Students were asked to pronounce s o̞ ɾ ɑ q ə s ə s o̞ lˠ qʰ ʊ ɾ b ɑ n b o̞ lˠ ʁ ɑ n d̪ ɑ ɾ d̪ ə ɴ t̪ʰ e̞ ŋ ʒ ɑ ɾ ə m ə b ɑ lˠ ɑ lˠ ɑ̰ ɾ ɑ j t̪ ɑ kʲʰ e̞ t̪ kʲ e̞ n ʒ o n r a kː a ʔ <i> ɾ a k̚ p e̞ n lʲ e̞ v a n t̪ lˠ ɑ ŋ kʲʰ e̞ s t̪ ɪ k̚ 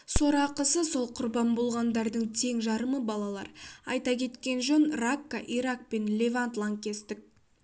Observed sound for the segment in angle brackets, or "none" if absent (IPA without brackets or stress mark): i